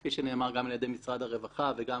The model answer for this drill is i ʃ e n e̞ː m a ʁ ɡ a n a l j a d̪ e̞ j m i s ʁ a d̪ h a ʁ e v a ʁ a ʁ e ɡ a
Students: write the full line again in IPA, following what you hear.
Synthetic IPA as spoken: i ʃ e n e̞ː m a ʁ ɡ a m a l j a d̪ e̞ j m i s ʁ a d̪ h a ʁ e v a χ a v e ɡ a